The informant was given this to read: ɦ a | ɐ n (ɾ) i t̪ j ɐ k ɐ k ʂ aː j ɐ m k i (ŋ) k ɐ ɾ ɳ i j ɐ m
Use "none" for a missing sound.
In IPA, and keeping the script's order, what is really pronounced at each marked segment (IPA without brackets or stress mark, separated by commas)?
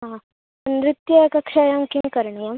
ɾ, ŋ